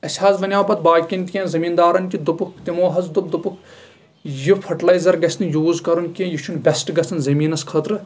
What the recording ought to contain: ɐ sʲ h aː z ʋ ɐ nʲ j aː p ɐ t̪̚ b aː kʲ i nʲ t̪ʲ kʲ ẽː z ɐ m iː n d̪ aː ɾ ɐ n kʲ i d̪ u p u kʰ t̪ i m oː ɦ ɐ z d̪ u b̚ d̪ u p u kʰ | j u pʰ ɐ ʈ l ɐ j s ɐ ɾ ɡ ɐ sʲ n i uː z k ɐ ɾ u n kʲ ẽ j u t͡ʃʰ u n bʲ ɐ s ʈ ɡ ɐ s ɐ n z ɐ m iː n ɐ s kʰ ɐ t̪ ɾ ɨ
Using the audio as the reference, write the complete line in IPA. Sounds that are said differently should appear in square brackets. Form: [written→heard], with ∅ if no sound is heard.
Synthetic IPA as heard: ɐ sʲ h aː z ʋ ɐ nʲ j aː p ɐ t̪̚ b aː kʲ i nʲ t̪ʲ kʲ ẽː z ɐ m iː n d̪ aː ɾ ɐ n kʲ i d̪ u p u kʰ t̪ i m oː ɦ ɐ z d̪ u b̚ d̪ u p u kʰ | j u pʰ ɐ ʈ l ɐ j [s→z] ɐ ɾ ɡ ɐ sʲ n [i→j] uː z k ɐ ɾ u n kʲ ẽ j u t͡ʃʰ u n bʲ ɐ s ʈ ɡ ɐ s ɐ n z ɐ m iː n ɐ s kʰ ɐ t̪ ɾ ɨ